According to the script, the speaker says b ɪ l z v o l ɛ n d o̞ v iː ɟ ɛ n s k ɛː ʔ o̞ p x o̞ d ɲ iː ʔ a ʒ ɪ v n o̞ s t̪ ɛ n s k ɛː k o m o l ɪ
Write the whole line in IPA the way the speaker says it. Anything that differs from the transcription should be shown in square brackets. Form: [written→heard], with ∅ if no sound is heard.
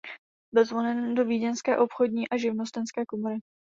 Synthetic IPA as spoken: b ɪ l z v o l ɛ n d o̞ v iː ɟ ɛ n s k ɛː ʔ o̞ p x o̞ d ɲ iː ʔ a ʒ ɪ v n o̞ s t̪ ɛ n s k ɛː k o m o [l→ɾ] ɪ